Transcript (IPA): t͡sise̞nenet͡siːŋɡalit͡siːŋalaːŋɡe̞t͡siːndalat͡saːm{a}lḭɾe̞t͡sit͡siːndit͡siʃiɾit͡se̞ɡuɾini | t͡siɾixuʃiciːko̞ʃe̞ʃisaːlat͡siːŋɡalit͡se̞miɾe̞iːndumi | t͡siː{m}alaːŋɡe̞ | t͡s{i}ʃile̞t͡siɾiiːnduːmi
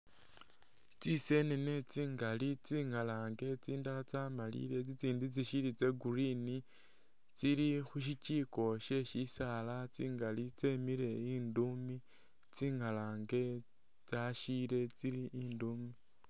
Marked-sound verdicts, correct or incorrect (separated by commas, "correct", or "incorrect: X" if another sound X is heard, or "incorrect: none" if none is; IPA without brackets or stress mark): correct, incorrect: ŋ, incorrect: a